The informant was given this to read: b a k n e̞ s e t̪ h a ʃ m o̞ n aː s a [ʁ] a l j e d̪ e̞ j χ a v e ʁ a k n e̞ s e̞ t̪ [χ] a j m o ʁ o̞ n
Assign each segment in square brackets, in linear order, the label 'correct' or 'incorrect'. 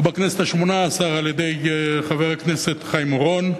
correct, correct

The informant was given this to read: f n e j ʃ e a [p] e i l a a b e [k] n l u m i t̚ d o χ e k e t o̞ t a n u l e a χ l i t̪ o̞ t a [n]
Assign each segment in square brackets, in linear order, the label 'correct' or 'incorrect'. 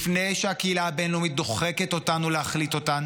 incorrect, incorrect, correct

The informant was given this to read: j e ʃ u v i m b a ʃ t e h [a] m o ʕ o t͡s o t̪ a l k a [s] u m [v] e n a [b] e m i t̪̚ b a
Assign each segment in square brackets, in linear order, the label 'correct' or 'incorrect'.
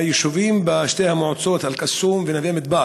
correct, correct, correct, incorrect

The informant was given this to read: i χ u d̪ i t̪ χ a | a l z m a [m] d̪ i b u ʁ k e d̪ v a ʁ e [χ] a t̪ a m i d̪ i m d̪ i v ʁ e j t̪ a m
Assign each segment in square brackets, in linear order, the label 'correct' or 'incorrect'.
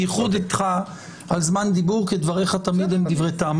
incorrect, correct

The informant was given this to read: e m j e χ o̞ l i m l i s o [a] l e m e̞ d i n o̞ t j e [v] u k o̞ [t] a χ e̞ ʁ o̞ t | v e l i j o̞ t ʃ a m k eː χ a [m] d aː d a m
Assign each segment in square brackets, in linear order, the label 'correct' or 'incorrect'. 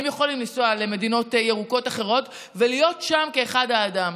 correct, incorrect, correct, incorrect

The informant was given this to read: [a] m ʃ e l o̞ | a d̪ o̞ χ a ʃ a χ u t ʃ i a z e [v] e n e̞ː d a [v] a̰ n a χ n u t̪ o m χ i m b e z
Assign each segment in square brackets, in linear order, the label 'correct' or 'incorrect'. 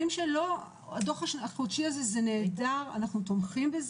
incorrect, incorrect, incorrect

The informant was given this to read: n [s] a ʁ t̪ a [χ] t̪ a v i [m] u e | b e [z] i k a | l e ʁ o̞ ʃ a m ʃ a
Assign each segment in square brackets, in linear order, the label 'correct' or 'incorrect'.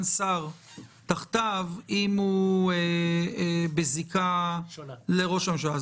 correct, correct, correct, correct

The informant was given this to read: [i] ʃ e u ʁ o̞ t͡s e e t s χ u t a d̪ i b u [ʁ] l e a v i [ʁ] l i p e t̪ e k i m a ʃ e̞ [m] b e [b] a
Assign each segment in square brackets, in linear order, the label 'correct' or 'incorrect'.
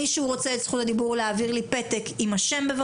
correct, correct, correct, correct, incorrect

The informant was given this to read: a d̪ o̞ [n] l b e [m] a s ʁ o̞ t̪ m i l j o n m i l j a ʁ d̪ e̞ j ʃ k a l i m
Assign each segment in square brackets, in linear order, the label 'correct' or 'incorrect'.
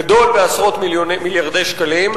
incorrect, incorrect

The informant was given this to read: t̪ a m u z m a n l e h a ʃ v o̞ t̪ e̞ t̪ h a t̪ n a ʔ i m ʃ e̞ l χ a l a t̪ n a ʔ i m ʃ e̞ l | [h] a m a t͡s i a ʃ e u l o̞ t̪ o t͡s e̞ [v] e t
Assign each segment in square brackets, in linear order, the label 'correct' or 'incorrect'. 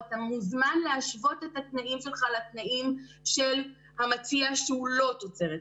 correct, incorrect

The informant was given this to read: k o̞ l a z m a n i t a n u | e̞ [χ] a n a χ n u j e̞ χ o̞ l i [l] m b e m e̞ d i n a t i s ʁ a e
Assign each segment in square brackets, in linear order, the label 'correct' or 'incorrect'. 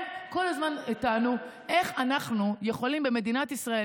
correct, incorrect

